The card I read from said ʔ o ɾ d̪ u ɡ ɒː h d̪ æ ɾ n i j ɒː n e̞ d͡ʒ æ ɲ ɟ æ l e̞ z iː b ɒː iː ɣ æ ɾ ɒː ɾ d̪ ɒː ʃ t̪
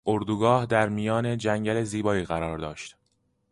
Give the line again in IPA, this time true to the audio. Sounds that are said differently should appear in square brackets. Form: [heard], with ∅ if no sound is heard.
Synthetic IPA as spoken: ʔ o ɾ d̪ u ɡ ɒː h d̪ æ ɾ [m] i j ɒː n e̞ d͡ʒ æ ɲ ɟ æ l e̞ z iː b ɒː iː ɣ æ ɾ ɒː ɾ d̪ ɒː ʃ t̪